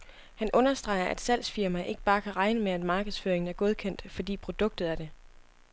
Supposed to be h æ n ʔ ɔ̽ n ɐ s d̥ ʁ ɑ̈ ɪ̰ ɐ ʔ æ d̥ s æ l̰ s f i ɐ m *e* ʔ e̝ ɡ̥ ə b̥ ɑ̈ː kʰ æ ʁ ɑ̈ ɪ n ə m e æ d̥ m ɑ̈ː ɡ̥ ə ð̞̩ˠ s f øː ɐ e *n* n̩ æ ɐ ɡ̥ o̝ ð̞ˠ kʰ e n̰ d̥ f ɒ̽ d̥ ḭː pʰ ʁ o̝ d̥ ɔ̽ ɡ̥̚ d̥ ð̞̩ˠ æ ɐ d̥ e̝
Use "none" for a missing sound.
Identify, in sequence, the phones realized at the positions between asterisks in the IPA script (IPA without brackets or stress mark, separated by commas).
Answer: æ, ŋ